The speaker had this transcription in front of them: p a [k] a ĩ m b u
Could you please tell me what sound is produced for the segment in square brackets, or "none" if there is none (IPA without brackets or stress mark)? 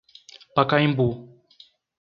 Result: k